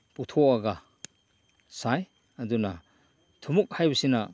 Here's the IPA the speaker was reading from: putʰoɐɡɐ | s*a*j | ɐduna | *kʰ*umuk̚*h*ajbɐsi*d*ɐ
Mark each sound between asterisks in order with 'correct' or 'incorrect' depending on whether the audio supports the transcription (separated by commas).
correct, incorrect, correct, incorrect